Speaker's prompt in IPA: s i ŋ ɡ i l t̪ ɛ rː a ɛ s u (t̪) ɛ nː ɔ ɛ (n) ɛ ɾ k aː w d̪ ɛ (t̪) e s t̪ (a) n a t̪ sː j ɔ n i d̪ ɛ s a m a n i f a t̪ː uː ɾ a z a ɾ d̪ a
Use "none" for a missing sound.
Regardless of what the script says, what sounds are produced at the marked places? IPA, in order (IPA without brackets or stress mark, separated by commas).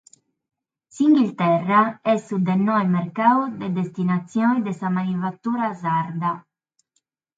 d̪, m, d̪, i